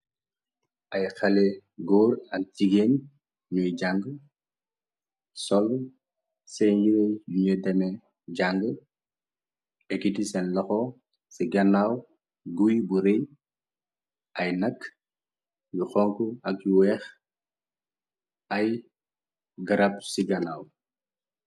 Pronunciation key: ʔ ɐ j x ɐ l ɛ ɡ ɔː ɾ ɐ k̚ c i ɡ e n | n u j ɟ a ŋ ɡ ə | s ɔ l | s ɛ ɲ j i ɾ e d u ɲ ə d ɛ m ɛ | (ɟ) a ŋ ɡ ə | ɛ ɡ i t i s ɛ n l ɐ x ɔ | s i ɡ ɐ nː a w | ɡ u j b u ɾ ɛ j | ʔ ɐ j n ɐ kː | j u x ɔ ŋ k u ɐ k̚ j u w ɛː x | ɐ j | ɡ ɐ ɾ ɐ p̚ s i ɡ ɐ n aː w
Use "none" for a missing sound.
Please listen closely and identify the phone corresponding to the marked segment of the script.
ɟ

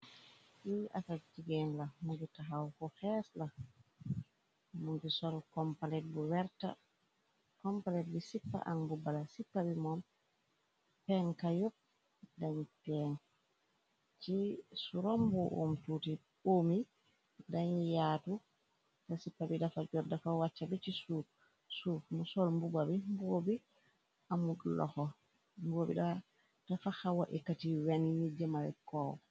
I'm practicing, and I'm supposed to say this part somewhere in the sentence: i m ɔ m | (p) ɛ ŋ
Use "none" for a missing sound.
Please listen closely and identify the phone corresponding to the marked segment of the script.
p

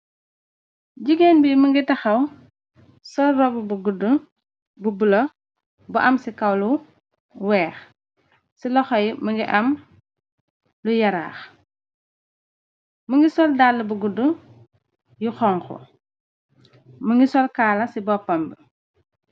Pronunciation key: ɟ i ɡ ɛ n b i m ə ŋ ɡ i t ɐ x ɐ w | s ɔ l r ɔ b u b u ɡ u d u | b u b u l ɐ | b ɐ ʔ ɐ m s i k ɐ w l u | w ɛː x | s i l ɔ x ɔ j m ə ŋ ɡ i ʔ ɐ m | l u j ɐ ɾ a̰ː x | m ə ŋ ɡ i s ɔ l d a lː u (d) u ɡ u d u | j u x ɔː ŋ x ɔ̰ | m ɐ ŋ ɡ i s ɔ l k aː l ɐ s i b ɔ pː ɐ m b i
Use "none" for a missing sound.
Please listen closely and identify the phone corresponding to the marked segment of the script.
b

